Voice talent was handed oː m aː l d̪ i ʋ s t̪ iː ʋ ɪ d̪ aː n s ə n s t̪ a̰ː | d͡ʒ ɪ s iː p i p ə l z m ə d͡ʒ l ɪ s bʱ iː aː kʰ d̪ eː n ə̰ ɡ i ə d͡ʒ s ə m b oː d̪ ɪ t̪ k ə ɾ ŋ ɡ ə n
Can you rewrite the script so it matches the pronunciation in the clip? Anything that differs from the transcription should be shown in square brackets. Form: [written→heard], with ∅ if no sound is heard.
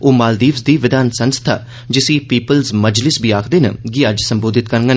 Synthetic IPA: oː m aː l d̪ [i→iː] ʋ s [t̪→d̪] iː ʋ ɪ d̪ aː n s ə n s [t̪→t̪ʰ] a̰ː | d͡ʒ ɪ s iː p [i→iː] p ə l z m ə d͡ʒ l ɪ s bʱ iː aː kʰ d̪ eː n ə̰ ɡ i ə d͡ʒ s ə m b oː d̪ ɪ t̪ k ə ɾ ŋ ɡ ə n